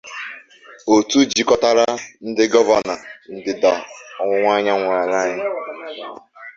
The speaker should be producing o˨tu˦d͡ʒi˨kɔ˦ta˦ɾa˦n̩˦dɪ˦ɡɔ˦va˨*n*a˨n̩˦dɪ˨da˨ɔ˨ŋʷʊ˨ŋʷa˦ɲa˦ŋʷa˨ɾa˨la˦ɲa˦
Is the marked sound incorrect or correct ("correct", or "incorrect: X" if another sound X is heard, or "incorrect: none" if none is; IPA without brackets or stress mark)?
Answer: correct